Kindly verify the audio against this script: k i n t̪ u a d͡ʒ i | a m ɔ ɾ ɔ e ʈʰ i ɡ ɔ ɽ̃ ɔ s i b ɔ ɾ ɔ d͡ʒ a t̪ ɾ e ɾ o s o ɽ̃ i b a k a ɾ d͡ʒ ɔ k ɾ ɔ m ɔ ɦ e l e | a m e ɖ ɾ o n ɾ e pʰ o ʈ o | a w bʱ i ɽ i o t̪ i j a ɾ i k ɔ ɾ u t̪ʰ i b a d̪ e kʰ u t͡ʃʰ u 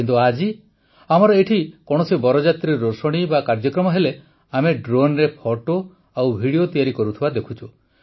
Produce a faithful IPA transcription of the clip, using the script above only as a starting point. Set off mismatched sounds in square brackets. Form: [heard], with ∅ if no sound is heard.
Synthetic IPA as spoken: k i n t̪ u a d͡ʒ i | a m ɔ ɾ ɔ e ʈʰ i [k] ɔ ɽ̃ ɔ s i b ɔ ɾ ɔ d͡ʒ a t̪ ɾ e ɾ o s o ɽ̃ i b a k a ɾ d͡ʒ ɔ k ɾ ɔ m ɔ ɦ e l e | a m e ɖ ɾ o n ɾ e pʰ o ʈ o | a w bʱ i ɽ i o t̪ i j a ɾ i k ɔ ɾ u t̪ʰ i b a d̪ e kʰ u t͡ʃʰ u